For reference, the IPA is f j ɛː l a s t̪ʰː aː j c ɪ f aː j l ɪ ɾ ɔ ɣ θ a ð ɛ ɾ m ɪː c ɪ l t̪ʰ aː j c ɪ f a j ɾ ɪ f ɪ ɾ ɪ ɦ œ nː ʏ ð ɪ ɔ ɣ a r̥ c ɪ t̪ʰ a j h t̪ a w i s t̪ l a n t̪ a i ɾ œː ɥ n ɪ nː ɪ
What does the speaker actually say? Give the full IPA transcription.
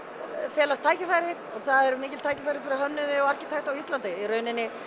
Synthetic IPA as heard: f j ɛː l a s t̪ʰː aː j c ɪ f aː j ɾ ɪ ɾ ɔ ɣ θ a ð ɛ ɾ m ɪː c ɪ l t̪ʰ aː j c ɪ f a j ɾ ɪ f ɪ ɾ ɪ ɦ œ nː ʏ ð ɪ ɔ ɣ a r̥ c ɪ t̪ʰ a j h t̪ a w i s t̪ l a n t̪ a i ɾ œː ɥ n ɪ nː ɪ